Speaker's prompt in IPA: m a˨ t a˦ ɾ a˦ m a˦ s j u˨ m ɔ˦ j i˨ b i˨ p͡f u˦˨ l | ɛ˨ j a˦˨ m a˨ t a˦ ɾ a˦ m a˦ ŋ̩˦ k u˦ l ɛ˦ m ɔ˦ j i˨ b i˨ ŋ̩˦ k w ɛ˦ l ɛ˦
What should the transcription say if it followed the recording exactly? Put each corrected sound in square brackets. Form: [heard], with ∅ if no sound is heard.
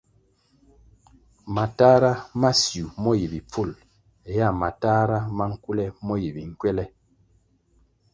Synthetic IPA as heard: m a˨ t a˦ ɾ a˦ m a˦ s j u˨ m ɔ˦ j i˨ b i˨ p͡f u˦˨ l | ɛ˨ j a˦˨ m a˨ t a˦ ɾ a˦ m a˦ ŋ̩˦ k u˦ l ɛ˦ m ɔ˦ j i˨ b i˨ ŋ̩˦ k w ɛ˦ l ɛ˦